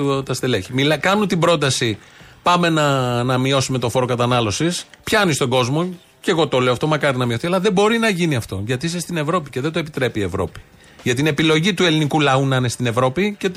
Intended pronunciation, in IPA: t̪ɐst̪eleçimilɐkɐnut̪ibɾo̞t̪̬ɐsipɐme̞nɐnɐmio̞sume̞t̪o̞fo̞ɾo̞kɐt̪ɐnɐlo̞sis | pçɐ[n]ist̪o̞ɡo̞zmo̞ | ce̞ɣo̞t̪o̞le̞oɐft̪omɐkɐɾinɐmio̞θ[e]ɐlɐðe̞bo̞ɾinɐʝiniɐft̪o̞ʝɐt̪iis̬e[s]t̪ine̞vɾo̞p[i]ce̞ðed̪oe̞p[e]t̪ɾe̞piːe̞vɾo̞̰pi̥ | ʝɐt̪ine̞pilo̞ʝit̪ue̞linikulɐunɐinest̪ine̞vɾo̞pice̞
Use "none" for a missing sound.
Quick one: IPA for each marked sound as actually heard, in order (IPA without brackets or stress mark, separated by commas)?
n, i, s, i, i